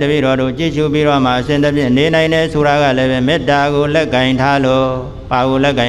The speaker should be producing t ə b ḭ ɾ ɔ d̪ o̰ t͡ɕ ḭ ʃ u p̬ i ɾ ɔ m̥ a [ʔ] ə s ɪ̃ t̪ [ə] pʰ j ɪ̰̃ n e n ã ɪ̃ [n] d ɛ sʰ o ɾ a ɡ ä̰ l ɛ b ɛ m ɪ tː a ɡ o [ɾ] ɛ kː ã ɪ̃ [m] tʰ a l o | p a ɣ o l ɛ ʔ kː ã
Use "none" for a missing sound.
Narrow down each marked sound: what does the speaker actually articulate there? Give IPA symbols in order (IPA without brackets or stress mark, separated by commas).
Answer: ʔ, ə, n, l, n